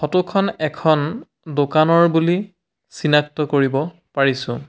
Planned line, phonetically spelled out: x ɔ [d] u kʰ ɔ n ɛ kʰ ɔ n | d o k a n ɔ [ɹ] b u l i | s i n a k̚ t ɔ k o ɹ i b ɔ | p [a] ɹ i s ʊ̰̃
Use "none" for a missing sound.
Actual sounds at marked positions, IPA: t, ɹ, a

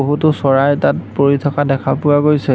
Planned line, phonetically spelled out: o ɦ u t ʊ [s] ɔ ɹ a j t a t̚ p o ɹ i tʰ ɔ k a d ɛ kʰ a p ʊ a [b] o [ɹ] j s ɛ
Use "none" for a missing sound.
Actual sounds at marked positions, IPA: s, ɡ, none

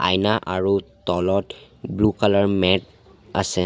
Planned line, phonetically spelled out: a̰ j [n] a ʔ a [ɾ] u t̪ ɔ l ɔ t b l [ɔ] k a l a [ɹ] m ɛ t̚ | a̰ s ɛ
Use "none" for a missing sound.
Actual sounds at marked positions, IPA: n, ɹ, u, ɹ

